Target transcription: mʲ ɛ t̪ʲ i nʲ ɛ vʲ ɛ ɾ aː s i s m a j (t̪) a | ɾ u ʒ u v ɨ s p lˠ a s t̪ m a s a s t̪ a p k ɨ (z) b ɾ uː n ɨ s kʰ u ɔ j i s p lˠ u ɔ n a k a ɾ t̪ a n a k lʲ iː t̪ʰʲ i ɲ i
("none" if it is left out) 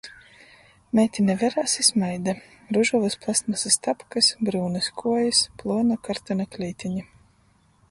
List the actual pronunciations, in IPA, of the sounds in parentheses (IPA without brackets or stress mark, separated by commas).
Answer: d̪, s